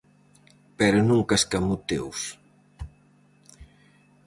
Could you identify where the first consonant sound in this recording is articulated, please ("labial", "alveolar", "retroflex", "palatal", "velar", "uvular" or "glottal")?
labial